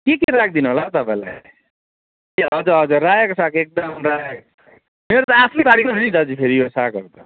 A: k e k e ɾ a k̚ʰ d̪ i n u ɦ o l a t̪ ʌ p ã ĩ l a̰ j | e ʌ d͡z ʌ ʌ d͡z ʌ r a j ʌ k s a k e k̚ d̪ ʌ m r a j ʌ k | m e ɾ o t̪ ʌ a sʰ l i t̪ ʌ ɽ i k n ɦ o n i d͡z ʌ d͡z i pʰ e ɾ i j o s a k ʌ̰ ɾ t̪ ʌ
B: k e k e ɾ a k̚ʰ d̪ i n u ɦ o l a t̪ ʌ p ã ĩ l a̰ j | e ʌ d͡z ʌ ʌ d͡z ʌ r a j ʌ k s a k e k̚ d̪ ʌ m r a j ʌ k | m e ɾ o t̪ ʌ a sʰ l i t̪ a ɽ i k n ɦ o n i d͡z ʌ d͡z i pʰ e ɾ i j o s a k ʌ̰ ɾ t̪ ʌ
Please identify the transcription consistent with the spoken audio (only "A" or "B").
B